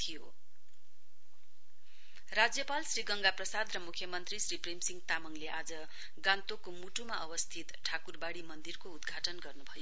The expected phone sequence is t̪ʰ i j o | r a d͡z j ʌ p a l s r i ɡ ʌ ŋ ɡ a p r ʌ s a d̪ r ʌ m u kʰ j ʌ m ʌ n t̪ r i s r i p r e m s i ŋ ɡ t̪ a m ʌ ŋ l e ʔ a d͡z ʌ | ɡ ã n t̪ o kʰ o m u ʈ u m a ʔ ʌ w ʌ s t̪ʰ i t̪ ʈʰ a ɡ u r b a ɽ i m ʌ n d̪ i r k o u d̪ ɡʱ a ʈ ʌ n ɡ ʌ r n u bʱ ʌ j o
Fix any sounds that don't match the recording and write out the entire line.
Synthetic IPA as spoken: t̪ʰ i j o | r a d͡z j ʌ p a l s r i ɡ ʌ ŋ ɡ a p r ʌ s a d̪ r ʌ m u kʰ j ʌ m ʌ n t̪ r i s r i p r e m s i ŋ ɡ t̪ a m ʌ ŋ l e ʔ a d͡z ʌ | ɡ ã n t̪ o k o m u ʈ u m a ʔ ʌ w ʌ s t̪ʰ i t̪ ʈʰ a k u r b a ɽ i m ʌ n d̪ i r k o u d̪ ɡʱ a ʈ ʌ n ɡ ʌ r n u bʱ ʌ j o